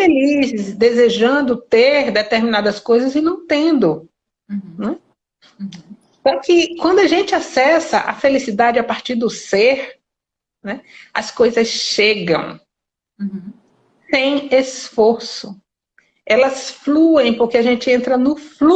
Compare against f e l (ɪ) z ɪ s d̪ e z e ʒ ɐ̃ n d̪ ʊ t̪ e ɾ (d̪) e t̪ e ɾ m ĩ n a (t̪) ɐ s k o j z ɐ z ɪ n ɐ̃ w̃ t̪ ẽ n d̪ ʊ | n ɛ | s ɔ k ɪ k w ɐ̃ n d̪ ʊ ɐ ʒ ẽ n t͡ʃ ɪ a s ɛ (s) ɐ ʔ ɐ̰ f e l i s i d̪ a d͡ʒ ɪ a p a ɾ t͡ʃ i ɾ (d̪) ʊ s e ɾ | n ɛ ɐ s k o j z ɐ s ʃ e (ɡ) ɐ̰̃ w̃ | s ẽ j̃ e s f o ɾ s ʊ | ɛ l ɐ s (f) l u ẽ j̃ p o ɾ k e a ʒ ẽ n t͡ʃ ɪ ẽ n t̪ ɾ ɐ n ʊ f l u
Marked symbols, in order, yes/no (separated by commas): no, yes, no, yes, yes, yes, yes